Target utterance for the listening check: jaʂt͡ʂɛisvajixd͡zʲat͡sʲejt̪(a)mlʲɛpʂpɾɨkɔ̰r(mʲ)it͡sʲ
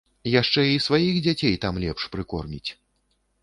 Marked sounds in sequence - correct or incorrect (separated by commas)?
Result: correct, correct